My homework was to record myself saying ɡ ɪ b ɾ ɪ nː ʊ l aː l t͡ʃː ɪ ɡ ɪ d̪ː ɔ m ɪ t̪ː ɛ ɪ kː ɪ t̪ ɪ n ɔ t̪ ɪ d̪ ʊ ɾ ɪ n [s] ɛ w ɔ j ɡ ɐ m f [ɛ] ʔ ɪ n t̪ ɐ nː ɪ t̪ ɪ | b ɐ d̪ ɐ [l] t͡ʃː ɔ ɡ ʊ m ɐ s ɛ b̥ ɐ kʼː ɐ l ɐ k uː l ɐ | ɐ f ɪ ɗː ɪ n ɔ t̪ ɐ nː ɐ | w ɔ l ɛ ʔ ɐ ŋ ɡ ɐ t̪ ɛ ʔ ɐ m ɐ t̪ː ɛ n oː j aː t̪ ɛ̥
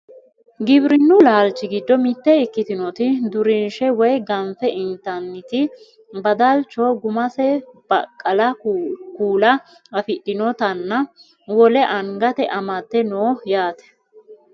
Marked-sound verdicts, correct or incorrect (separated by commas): incorrect, correct, correct